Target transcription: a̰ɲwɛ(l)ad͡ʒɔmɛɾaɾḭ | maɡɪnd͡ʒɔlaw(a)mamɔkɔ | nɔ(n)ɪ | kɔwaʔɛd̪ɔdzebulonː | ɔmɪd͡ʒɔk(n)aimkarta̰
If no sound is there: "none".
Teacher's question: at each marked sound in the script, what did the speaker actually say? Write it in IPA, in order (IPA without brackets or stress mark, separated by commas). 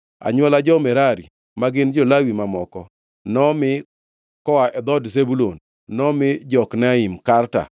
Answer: l, i, m, n